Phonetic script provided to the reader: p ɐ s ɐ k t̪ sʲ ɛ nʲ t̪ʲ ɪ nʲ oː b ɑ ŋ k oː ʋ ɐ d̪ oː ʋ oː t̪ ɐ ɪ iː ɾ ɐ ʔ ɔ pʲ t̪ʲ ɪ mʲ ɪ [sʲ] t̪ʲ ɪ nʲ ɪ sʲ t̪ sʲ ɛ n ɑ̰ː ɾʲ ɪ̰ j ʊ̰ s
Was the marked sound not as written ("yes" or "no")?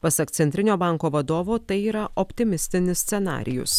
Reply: no